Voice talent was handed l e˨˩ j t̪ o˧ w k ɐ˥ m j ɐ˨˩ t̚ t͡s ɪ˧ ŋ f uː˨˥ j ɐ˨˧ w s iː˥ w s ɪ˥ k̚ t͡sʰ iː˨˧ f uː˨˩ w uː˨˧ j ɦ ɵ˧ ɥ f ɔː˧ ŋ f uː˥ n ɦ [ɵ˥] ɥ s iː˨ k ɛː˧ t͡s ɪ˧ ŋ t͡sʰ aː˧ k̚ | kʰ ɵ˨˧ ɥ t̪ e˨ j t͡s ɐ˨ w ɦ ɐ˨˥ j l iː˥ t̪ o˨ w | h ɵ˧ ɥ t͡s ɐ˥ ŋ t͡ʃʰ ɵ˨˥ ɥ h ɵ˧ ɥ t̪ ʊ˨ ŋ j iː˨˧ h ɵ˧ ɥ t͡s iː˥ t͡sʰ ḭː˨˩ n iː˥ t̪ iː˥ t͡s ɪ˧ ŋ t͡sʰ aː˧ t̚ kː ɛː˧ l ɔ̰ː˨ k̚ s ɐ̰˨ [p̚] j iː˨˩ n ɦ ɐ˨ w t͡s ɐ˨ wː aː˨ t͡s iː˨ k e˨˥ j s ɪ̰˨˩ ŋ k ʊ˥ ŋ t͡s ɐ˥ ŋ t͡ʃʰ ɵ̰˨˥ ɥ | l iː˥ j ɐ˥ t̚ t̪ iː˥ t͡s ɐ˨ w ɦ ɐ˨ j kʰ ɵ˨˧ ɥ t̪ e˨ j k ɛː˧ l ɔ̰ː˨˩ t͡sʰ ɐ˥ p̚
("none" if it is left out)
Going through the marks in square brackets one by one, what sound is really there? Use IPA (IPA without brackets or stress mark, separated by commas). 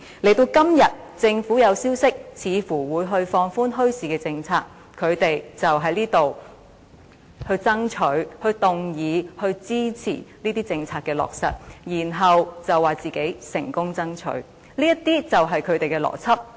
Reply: ɵ˥, t̚